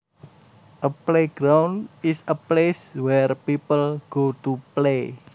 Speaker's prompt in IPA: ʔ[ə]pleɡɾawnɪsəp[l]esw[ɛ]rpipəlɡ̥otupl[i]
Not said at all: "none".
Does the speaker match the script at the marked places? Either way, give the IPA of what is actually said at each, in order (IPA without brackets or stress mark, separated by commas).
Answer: ə, l, ɛ, e